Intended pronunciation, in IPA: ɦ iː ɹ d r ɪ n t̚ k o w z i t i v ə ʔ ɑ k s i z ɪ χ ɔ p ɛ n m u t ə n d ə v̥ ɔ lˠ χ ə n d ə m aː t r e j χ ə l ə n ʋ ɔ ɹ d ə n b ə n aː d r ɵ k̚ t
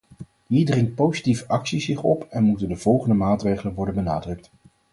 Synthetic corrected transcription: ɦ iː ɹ d r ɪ ŋ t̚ p o w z i t i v ə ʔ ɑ k s i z ɪ χ ɔ p ɛ n m u t ə n d ə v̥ ɔ lˠ χ ə n d ə m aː t r e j χ ə l ə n ʋ ɔ ɹ d ə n b ə n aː d r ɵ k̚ t